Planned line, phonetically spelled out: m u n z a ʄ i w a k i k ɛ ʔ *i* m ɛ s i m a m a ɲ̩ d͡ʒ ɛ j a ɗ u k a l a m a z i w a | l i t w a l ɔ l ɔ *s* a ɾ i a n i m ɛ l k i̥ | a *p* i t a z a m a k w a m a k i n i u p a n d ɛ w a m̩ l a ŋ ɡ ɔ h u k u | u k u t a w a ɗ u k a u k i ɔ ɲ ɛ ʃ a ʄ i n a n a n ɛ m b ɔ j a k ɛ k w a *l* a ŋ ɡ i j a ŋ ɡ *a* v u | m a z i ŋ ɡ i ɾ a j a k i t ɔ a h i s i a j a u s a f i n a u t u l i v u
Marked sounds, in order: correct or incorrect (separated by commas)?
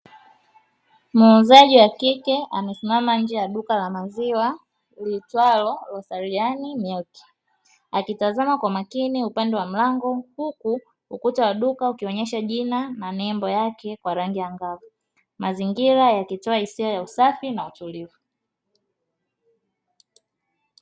incorrect, correct, incorrect, incorrect, correct